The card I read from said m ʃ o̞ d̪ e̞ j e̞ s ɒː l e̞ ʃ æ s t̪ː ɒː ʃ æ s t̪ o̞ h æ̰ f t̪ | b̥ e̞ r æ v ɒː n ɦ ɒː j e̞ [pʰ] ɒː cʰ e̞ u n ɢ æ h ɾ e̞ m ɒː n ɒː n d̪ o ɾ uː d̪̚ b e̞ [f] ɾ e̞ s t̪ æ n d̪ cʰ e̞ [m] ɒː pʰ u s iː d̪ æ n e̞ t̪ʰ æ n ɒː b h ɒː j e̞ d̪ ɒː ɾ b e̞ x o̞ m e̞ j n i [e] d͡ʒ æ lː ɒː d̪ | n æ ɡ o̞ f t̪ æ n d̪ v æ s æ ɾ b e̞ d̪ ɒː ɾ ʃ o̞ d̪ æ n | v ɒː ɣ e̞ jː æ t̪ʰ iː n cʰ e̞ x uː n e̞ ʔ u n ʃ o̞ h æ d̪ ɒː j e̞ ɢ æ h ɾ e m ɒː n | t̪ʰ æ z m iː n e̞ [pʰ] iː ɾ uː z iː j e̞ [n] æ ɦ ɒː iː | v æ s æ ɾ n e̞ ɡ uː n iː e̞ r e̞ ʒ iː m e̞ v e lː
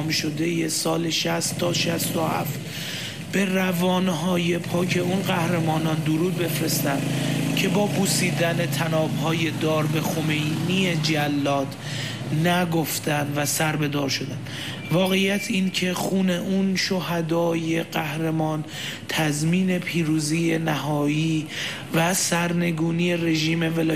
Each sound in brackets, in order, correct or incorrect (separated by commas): correct, correct, incorrect, correct, correct, correct